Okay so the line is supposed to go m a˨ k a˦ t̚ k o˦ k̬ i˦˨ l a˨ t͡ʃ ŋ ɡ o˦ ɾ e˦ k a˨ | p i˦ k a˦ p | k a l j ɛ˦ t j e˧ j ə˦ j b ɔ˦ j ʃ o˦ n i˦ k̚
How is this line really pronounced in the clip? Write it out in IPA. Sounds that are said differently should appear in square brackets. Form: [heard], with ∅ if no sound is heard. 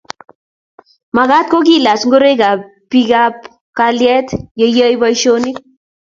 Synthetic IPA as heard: m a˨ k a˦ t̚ k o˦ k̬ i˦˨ l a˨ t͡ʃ ŋ ɡ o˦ ɾ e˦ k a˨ | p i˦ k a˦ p | k a l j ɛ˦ t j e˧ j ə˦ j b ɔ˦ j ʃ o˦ n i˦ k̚